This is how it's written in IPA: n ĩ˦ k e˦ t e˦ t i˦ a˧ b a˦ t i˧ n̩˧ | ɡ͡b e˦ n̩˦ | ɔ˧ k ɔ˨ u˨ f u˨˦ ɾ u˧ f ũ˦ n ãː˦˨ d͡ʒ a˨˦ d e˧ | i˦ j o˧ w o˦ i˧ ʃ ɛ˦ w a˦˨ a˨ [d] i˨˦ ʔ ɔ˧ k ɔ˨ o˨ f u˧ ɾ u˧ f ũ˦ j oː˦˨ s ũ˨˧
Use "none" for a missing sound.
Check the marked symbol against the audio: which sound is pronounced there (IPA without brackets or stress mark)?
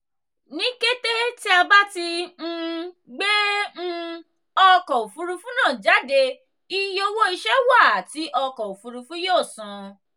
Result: t